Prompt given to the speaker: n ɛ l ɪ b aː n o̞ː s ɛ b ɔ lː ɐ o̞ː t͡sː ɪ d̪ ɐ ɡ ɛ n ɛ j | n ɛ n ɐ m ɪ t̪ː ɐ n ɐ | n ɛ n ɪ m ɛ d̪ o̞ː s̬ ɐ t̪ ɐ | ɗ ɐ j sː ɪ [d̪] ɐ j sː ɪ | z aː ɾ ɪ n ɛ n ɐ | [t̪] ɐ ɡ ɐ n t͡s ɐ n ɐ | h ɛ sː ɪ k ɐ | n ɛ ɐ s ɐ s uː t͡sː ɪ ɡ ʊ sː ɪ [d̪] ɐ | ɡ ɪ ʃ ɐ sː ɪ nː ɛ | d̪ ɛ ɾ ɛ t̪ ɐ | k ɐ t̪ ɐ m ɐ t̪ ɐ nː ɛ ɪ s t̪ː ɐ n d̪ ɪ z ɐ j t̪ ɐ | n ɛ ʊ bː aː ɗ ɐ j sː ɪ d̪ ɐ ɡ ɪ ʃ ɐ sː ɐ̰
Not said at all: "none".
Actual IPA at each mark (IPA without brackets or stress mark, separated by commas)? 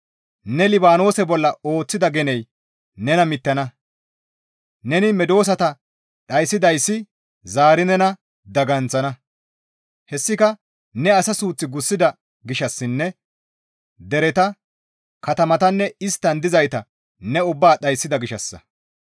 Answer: d̪, d̪, d̪